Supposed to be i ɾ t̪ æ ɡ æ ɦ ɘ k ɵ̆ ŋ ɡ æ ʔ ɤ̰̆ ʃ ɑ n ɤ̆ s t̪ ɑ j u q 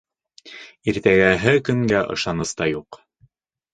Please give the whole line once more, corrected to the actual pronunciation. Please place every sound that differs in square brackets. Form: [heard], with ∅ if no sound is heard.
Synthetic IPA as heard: i ɾ t̪ æ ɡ æ ɦ ɘ k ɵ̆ ŋ ɡ æ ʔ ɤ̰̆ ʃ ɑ n ɤ̆ s t̪ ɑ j u q